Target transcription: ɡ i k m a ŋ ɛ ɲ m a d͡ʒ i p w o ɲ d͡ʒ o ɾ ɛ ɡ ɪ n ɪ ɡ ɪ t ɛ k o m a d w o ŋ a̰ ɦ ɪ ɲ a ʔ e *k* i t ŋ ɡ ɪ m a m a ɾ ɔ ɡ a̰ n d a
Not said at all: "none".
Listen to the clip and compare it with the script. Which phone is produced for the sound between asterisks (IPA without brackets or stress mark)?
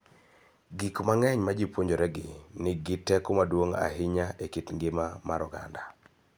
k